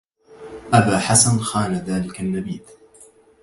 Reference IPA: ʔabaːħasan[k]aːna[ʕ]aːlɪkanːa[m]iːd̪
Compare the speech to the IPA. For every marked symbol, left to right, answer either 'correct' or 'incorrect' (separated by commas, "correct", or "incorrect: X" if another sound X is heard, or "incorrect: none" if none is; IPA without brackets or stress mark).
incorrect: x, incorrect: ð, incorrect: b